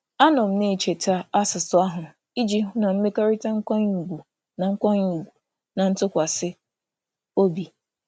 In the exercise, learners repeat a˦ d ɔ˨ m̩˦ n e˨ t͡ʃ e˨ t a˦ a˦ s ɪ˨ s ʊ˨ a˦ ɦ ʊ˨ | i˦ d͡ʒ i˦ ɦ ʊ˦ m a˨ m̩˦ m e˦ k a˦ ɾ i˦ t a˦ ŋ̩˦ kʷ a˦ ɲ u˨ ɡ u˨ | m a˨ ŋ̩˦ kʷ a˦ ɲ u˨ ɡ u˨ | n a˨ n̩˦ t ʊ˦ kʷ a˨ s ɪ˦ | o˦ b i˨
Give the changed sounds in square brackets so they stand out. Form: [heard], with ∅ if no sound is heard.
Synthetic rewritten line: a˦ [n] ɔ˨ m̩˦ n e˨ t͡ʃ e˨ t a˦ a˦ s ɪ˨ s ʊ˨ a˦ ɦ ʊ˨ | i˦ d͡ʒ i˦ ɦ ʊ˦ [n] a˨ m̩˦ m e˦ k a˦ ɾ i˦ t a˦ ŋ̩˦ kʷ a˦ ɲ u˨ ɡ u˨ | [n] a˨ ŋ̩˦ kʷ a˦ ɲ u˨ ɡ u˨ | n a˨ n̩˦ t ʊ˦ kʷ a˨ s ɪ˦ | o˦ b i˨

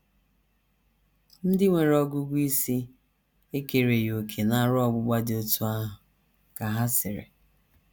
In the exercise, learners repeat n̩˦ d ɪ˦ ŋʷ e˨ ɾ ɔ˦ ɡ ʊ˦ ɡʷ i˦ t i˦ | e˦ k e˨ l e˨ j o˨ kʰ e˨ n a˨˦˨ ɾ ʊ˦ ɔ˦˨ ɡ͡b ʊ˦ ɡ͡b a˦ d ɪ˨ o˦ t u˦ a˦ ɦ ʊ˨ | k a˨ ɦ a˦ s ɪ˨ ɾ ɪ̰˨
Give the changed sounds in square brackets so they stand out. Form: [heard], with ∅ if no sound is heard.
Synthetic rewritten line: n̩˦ d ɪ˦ ŋʷ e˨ ɾ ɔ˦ ɡ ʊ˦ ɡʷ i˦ [s] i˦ | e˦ k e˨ [ɾ] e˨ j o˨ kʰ e˨ n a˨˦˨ ɾ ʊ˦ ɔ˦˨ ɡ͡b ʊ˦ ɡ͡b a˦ d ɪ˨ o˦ t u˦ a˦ ɦ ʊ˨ | k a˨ ɦ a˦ s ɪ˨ ɾ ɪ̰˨

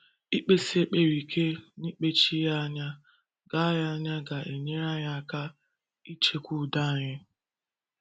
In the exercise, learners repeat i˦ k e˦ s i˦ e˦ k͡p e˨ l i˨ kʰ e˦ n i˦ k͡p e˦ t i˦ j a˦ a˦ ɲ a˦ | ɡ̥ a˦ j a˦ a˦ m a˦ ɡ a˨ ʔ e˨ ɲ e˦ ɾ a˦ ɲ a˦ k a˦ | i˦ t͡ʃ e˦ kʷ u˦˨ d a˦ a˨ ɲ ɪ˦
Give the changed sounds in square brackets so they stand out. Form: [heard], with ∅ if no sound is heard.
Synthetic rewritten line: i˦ [k͡p] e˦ s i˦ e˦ k͡p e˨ [ɾ] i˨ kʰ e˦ n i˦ k͡p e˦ [t͡ʃ] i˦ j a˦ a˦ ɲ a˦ | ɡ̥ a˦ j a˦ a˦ [ɲ] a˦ ɡ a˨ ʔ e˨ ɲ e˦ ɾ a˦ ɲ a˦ k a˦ | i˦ t͡ʃ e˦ kʷ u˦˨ d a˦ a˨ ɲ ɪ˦

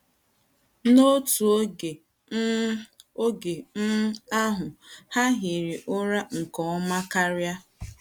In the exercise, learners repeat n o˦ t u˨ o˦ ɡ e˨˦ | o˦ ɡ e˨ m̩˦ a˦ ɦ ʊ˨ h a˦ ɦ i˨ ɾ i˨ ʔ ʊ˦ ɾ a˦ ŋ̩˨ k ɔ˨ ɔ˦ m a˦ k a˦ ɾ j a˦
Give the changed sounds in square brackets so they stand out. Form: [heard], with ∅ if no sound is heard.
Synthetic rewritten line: n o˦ t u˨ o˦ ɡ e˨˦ | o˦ ɡ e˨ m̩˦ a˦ ɦ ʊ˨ h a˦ ɦ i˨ ɾ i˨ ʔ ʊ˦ ɾ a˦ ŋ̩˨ k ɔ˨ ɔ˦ m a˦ k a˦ ɾ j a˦

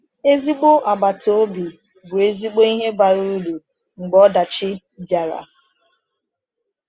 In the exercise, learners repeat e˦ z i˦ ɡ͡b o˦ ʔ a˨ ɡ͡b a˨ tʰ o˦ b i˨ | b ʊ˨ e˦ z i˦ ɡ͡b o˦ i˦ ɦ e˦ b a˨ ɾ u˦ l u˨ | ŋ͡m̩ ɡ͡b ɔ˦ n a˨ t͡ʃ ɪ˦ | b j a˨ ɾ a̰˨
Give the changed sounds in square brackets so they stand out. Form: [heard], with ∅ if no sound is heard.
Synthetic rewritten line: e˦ z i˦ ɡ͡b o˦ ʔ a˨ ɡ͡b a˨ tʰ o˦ b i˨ | b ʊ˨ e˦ z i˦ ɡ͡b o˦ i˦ ɦ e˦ b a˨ ɾ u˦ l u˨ | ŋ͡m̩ ɡ͡b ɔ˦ [d] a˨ t͡ʃ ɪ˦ | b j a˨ ɾ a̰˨

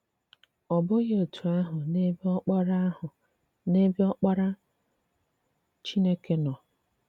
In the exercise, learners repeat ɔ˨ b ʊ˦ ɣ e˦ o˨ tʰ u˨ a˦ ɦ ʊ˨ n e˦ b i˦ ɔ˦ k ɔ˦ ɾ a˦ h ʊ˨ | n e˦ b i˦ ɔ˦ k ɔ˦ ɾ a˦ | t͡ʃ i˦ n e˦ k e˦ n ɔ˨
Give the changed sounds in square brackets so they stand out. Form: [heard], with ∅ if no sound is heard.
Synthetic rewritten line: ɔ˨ b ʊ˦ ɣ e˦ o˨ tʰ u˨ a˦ ɦ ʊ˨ n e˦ b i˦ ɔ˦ [k͡p] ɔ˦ ɾ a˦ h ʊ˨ | n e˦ b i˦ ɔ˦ [k͡p] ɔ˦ ɾ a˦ | t͡ʃ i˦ n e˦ k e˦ n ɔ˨

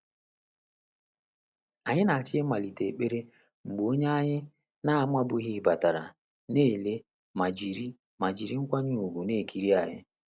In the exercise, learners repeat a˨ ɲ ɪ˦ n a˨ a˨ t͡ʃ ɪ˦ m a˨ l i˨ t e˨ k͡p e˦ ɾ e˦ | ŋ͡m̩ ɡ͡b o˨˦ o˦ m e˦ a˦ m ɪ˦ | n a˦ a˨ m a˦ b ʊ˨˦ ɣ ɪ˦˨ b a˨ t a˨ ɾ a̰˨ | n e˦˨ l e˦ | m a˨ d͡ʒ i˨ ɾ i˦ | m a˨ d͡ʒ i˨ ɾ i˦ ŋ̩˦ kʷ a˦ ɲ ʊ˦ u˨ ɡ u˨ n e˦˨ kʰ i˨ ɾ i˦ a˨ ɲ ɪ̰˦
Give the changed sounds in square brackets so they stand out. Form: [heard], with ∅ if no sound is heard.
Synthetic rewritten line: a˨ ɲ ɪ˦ n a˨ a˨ t͡ʃ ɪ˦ m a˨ l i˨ t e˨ k͡p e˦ ɾ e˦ | ŋ͡m̩ ɡ͡b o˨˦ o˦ [ɲ] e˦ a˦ [ɲ] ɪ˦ | n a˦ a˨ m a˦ b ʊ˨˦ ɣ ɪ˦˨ b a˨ t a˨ ɾ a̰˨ | n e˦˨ l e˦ | m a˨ d͡ʒ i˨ ɾ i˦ | m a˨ d͡ʒ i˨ ɾ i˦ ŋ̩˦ kʷ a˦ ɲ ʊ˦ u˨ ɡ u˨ n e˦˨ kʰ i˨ ɾ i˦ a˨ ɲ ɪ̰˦

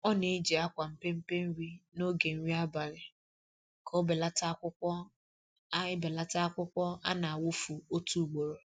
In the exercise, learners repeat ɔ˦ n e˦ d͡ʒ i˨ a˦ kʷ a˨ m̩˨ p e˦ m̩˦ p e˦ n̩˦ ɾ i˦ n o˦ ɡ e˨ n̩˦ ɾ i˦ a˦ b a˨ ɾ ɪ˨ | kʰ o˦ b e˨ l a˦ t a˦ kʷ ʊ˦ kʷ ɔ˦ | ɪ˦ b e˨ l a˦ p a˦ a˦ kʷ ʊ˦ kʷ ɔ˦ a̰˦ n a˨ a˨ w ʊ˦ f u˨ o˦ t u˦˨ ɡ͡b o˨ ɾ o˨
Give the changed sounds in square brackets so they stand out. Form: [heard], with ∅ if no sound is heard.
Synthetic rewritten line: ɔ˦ n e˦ d͡ʒ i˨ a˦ kʷ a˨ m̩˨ p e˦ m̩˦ p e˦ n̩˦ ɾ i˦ n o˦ ɡ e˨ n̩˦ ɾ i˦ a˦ b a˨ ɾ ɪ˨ | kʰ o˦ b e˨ l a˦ t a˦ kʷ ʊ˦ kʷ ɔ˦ | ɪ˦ b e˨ l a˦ [t] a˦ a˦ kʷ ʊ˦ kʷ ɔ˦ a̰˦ n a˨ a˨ w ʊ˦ f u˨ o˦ t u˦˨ ɡ͡b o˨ ɾ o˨

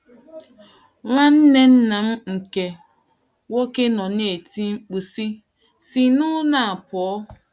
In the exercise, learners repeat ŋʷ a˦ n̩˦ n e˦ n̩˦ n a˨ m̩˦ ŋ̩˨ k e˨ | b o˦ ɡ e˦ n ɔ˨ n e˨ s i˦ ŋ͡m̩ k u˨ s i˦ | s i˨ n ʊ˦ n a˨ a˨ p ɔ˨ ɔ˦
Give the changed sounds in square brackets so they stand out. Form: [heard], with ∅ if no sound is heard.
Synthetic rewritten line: ŋʷ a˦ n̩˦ n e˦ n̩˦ n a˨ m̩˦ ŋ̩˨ k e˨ | [w] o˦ [k] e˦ n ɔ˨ n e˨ [t] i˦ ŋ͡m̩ [k͡p] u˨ s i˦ | s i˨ n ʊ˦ n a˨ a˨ p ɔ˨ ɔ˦

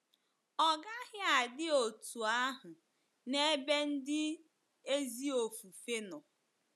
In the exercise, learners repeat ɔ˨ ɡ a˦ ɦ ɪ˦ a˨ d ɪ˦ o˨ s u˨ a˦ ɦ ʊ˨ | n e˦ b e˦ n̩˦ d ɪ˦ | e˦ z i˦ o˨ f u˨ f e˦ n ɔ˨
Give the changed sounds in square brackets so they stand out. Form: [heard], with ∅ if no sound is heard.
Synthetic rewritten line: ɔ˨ ɡ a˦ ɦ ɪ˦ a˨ d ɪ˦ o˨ [t] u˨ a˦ ɦ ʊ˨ | n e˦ b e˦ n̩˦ d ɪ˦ | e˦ z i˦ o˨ f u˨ f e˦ n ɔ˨

